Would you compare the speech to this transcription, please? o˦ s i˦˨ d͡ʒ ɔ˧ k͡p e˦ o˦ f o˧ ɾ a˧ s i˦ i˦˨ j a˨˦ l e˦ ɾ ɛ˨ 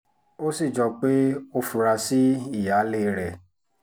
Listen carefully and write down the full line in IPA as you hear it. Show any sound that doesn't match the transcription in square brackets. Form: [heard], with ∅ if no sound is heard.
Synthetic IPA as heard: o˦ s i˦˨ d͡ʒ ɔ˧ k͡p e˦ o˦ f [u˧] ɾ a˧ s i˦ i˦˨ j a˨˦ l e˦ ɾ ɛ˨